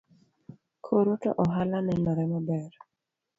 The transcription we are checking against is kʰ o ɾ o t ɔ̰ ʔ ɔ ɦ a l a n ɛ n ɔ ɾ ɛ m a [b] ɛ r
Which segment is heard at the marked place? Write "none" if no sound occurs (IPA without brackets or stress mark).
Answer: b